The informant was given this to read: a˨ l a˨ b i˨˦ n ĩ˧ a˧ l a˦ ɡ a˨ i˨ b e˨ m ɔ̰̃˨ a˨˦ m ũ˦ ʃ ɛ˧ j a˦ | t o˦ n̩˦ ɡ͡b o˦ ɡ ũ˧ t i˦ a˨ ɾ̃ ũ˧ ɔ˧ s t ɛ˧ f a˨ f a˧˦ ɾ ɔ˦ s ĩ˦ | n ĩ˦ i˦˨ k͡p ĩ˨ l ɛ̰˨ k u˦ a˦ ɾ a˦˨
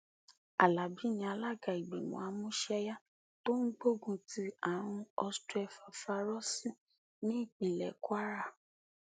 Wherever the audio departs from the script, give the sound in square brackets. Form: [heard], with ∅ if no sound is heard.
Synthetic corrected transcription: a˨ l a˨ b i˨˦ n ĩ˧ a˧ l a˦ ɡ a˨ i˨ [ɡ͡b] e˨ m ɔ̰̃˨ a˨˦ m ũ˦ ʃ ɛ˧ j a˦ | t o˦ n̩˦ ɡ͡b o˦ ɡ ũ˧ t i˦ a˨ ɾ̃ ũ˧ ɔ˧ s t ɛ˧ f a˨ f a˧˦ ɾ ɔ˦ s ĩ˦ | n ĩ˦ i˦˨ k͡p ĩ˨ l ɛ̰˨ k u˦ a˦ ɾ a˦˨